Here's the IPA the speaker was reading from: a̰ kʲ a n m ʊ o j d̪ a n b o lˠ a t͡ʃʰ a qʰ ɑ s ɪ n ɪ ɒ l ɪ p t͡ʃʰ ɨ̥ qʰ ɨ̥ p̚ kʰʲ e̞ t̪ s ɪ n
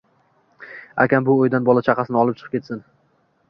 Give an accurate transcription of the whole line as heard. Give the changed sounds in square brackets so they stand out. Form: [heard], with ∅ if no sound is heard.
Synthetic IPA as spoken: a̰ kʲ a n [b] ʊ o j d̪ a n b [ɒ] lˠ a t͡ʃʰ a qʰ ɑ s ɪ n ɪ ɒ l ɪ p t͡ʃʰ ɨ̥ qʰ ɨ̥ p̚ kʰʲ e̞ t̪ s ɪ n